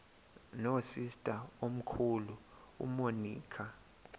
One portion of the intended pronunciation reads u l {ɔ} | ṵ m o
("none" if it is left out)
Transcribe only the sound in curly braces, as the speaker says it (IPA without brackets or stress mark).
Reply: u